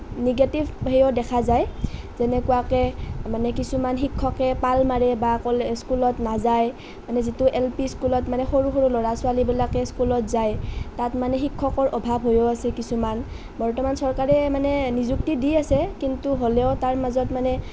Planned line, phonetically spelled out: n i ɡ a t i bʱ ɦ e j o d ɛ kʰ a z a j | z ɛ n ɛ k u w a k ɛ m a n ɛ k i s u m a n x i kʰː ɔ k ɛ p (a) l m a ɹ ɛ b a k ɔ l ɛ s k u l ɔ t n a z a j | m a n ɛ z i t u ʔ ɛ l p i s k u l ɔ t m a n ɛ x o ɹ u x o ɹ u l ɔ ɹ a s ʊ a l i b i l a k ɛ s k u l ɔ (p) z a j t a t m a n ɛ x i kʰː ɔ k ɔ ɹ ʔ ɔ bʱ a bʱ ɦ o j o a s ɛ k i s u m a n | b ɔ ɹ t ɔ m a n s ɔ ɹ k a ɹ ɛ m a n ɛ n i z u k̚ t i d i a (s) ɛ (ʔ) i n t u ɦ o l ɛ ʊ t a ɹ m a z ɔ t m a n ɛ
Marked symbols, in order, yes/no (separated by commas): yes, no, yes, no